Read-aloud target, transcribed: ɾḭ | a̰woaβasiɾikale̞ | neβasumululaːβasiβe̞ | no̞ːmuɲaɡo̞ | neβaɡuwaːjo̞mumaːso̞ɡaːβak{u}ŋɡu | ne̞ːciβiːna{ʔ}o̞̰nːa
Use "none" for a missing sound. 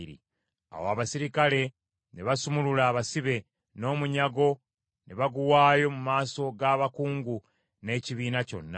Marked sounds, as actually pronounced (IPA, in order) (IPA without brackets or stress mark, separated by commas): uː, c